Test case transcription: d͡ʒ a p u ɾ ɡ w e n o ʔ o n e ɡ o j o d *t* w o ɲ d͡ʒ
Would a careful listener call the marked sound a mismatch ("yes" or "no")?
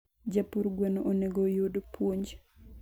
yes